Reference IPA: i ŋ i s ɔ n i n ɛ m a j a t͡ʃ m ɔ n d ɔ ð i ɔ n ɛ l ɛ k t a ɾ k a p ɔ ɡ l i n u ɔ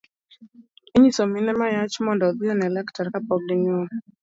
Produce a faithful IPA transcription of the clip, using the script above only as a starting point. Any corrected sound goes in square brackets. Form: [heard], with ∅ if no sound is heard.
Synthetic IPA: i [ɲ] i s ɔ [m] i n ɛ m a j a t͡ʃ m ɔ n d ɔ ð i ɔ n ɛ l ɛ k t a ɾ k a p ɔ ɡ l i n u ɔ